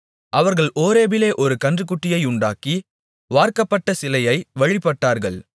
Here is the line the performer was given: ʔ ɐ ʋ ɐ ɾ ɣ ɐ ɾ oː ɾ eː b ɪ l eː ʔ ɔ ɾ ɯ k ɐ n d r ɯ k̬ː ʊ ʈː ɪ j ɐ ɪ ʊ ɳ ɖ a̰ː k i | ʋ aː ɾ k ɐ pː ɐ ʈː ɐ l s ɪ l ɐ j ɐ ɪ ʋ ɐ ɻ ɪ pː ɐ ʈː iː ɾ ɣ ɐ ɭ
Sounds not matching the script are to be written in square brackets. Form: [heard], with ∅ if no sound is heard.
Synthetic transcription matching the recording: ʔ ɐ ʋ ɐ ɾ ɣ ɐ [ɭ] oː ɾ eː b ɪ l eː ʔ ɔ ɾ ɯ k ɐ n d r ɯ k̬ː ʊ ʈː ɪ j ɐ ɪ ʊ ɳ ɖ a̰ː k i | ʋ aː ɾ k ɐ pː ɐ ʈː ɐ [∅] s ɪ l ɐ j ɐ ɪ ʋ ɐ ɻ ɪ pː ɐ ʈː [aː] ɾ ɣ ɐ ɭ